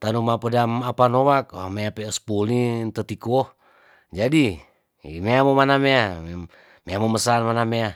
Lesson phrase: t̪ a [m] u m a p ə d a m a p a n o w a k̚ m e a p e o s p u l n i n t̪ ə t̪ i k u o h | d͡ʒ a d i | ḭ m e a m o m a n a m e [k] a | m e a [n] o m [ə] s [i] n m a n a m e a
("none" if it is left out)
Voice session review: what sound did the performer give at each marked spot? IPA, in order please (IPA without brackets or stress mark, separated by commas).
n, none, m, ə, a